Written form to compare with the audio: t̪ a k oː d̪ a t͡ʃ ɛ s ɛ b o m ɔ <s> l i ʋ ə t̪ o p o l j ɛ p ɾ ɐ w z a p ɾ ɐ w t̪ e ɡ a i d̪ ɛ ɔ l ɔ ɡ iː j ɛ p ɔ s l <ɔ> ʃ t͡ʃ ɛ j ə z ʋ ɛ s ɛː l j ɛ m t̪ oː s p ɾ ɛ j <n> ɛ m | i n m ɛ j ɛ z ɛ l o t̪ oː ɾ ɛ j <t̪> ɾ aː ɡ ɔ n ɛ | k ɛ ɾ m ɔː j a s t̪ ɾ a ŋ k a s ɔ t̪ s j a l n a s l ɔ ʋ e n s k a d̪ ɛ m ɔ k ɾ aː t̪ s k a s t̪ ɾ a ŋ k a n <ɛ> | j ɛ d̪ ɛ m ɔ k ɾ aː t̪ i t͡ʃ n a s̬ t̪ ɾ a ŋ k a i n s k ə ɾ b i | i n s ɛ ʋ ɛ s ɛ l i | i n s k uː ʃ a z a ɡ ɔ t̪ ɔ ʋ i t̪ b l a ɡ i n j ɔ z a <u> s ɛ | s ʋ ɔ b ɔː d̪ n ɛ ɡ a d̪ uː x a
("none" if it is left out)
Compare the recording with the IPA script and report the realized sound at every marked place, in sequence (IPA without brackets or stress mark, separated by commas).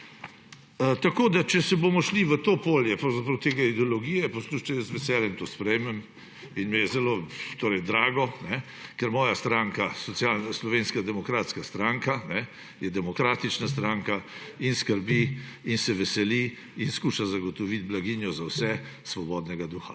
ʃ, u, m, d̪, ɛ, w